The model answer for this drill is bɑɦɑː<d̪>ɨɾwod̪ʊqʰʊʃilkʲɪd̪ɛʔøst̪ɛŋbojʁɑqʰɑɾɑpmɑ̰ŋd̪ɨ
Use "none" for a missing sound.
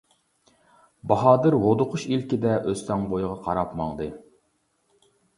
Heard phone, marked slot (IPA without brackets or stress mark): d̪